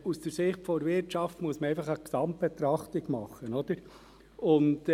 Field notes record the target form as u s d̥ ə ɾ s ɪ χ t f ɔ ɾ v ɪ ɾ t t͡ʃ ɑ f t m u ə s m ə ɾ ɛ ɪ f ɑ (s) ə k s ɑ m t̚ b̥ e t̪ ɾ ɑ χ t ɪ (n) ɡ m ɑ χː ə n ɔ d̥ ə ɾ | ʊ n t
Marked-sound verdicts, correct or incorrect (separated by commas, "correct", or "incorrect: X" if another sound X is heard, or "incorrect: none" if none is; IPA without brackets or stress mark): incorrect: χ, incorrect: none